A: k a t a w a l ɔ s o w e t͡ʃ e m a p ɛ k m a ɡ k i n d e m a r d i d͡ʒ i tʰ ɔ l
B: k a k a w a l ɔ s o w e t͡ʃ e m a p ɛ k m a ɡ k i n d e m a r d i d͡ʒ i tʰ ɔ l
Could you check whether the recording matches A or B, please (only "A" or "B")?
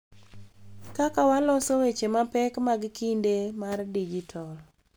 B